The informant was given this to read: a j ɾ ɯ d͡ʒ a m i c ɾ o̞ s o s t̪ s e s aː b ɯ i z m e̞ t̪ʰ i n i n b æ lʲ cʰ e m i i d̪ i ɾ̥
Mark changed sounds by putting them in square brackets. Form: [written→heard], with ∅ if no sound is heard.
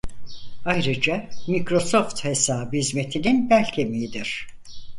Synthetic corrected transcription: a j ɾ ɯ d͡ʒ a m i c ɾ o̞ s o [s→f] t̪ [s→h] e s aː b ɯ i z m e̞ t̪ʰ i n i n b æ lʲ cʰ e m i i d̪ i ɾ̥